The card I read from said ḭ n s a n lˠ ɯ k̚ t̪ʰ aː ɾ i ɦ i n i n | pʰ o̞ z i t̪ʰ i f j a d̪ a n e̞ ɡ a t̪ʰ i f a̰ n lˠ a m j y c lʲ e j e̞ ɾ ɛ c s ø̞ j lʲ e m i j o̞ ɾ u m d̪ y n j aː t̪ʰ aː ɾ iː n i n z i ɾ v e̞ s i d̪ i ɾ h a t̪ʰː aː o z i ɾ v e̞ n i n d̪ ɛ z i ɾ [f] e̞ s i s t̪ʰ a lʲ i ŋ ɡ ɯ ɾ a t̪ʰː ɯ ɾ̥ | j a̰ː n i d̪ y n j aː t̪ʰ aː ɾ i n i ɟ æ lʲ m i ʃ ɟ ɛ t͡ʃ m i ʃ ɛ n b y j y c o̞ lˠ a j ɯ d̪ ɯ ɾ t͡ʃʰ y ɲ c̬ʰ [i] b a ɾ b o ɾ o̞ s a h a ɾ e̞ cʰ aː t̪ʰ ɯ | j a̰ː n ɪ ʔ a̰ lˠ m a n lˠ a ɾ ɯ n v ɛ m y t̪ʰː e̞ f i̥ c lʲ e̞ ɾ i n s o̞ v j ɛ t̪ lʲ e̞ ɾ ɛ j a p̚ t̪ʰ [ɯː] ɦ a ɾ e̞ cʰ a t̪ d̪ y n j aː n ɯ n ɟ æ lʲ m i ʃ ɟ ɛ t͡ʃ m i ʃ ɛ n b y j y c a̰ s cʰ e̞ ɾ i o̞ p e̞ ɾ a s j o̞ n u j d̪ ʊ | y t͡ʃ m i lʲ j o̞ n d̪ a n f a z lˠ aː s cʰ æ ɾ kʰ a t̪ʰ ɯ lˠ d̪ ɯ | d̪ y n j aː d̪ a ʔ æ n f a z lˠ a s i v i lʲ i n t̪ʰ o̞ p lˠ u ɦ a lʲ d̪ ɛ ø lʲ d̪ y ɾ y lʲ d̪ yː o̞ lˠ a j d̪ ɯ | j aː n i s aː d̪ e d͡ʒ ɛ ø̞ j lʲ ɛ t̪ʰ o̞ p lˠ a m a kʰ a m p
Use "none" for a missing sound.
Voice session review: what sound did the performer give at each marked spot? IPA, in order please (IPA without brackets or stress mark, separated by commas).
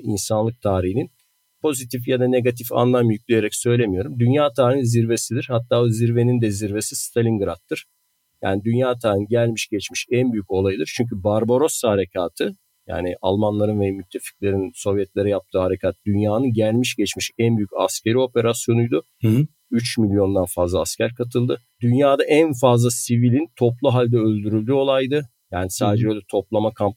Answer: v, y, ɯː